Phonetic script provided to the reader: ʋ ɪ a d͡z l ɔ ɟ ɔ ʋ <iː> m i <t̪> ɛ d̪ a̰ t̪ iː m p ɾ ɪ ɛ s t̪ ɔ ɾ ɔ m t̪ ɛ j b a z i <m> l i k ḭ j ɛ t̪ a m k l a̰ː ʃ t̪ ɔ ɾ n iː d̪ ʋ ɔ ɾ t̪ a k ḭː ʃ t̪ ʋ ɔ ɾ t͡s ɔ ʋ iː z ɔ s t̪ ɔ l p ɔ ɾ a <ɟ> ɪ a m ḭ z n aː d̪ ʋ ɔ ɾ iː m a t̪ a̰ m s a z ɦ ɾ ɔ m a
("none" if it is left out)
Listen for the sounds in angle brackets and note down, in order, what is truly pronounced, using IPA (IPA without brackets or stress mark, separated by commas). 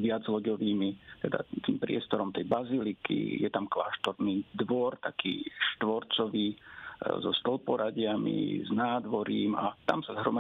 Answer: iː, t̪, none, ɟ